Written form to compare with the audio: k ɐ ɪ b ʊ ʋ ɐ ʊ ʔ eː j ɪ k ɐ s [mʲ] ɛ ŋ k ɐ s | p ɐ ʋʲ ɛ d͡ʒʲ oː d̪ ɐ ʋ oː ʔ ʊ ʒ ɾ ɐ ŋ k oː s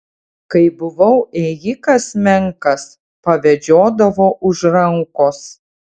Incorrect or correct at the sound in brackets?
correct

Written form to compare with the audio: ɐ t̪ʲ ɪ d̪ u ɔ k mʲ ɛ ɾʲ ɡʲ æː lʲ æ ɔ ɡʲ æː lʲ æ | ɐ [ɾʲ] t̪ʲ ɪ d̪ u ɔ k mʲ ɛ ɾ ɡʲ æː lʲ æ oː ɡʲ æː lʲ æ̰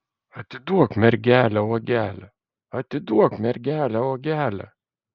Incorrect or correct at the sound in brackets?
incorrect: none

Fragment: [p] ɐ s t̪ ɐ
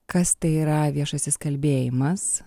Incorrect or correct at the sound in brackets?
incorrect: k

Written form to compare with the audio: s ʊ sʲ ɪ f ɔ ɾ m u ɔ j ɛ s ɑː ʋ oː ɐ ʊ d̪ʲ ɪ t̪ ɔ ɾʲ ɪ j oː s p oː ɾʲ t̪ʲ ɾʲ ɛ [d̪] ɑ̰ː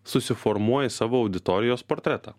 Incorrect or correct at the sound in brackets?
incorrect: t̪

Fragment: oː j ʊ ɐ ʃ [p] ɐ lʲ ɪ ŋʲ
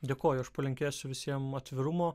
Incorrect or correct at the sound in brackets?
correct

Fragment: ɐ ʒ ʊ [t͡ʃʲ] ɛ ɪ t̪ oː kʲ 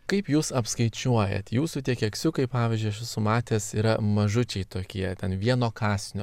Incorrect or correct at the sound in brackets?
correct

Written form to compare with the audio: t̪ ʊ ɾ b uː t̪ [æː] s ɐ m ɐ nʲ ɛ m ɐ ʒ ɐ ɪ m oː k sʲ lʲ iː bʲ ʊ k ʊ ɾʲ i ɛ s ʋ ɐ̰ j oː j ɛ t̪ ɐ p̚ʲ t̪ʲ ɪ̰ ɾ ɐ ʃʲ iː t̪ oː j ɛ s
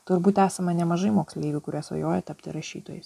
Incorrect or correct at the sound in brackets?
correct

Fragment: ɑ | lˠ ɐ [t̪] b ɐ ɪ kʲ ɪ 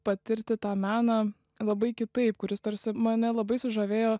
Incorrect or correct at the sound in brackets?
incorrect: none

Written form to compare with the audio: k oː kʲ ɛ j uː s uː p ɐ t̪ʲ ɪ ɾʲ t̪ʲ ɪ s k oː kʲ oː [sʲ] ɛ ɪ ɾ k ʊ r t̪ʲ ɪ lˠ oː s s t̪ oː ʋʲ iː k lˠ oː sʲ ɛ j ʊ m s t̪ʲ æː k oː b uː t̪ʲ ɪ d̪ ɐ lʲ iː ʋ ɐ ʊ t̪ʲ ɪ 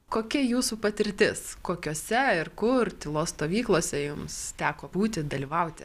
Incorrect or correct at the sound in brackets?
correct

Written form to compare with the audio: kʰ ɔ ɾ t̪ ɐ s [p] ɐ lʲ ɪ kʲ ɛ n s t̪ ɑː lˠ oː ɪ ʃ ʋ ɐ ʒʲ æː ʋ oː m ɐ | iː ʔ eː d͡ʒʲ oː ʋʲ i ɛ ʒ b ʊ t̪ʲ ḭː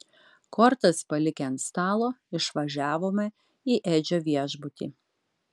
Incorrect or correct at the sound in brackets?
correct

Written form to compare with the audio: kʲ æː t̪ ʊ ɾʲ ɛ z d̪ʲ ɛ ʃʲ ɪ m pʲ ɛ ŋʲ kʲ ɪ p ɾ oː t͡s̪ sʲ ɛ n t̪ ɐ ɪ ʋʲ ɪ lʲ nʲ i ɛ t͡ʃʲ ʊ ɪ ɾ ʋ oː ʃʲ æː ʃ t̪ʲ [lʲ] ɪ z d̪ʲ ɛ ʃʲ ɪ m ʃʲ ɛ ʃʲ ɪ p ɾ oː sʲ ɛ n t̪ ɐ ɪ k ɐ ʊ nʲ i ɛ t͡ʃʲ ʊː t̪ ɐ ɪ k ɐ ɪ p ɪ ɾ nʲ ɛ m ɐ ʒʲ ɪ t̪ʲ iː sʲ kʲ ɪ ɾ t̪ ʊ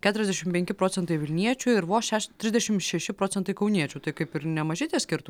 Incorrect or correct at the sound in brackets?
incorrect: ɾʲ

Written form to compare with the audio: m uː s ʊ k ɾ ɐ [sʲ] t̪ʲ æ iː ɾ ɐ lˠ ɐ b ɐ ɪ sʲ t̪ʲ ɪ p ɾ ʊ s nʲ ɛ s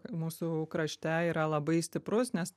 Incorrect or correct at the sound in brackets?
incorrect: ʃʲ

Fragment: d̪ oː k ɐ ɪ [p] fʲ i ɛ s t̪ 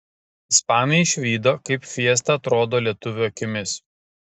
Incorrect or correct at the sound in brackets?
correct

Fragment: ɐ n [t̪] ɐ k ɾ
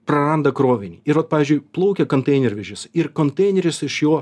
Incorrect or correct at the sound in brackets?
incorrect: d̪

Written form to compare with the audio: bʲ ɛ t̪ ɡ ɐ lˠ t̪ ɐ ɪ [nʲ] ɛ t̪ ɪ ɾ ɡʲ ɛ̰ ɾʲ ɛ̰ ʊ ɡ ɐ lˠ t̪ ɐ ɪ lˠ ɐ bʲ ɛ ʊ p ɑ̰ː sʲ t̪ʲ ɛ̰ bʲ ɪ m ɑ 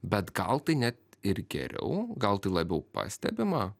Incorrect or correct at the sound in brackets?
correct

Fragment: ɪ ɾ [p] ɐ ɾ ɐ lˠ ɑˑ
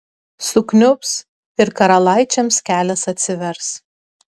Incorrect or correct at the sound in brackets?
incorrect: k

